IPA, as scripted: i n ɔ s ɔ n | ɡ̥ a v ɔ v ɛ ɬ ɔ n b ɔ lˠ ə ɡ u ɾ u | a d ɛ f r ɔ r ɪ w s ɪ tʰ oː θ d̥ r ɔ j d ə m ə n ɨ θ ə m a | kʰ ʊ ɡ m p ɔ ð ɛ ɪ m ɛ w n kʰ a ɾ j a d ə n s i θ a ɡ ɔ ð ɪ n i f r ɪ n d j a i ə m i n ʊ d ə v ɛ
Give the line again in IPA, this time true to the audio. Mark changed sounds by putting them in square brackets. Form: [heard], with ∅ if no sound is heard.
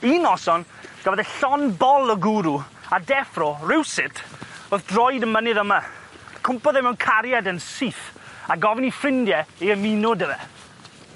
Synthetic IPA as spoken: i n ɔ s ɔ n | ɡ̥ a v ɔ [ð] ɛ ɬ ɔ n b ɔ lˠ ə ɡ u ɾ u | a d ɛ f r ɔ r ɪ w s ɪ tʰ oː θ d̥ r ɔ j d ə m ə n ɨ [ð] ə m a | kʰ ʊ [∅] m p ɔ ð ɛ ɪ m ɛ w n kʰ a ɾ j a d ə n s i θ a ɡ ɔ [v] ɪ n i f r ɪ n d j [ɛ] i ə m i n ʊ d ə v ɛ

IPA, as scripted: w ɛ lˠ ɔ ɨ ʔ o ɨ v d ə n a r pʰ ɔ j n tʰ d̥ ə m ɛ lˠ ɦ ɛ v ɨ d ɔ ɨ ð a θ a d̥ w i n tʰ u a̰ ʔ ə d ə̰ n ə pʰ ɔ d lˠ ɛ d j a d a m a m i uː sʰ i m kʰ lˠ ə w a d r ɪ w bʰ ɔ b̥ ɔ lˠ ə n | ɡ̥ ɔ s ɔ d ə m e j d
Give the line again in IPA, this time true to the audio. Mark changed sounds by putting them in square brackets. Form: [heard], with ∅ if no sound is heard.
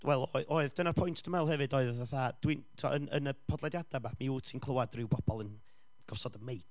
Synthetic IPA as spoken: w ɛ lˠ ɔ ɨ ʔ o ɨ [ð] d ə n a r pʰ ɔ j n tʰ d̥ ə m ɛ lˠ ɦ ɛ v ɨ d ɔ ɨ ð a θ a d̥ w i n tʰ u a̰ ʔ ə [n] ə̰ n ə pʰ ɔ d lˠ ɛ d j a d a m a m i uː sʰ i [n] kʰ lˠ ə w a d r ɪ w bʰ ɔ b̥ ɔ lˠ ə n | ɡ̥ ɔ s ɔ d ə m e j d

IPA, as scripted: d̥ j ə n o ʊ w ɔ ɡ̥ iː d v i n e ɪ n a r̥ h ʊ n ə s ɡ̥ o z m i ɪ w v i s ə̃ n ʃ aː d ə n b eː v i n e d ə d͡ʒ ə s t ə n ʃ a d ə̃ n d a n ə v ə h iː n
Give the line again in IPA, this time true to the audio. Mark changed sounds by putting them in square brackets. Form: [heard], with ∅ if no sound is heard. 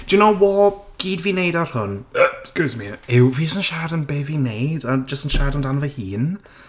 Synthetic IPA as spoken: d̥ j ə n o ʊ w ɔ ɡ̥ iː d v i n e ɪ [d] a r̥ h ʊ n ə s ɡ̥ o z m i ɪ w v i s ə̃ n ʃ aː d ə n b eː v i n e d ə d͡ʒ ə s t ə n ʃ a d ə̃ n d a n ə v ə h iː n

